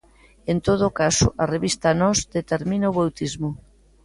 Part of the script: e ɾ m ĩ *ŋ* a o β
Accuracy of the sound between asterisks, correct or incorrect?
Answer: incorrect